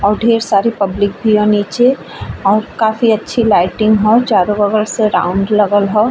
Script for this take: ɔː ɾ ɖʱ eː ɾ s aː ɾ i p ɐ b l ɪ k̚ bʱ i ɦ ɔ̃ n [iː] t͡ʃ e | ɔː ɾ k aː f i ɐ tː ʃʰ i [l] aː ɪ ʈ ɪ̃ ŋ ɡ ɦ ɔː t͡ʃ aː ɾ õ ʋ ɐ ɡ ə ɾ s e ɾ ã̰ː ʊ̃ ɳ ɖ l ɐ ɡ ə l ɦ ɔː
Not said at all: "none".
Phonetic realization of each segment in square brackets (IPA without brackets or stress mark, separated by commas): iː, l